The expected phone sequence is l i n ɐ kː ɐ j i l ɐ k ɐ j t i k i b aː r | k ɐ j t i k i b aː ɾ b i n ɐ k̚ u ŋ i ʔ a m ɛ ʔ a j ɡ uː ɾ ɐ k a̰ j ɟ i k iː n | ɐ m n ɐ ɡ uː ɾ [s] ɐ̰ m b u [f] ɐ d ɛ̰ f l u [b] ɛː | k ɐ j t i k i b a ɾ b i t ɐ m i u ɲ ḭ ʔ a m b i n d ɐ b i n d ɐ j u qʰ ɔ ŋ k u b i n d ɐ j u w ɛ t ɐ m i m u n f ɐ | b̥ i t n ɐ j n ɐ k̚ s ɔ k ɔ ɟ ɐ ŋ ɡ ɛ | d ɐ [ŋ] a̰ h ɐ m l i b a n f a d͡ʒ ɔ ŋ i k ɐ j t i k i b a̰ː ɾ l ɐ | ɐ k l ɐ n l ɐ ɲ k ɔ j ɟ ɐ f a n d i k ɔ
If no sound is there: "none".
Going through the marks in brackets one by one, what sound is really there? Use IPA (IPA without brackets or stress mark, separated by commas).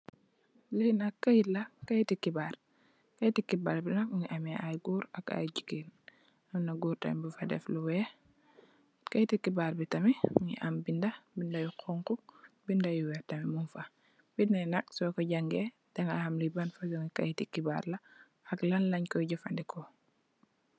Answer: t, f, w, ŋ